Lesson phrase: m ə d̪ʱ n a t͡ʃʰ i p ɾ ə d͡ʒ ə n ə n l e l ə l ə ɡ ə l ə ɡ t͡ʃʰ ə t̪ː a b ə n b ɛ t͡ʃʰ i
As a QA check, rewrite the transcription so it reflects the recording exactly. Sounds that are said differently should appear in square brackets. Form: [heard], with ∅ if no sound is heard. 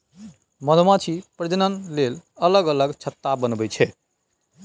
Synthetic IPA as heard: m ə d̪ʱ [m] a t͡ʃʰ i p ɾ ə d͡ʒ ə n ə n l e l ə l ə ɡ ə l ə ɡ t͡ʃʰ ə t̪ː a b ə n b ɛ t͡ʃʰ [ɛ]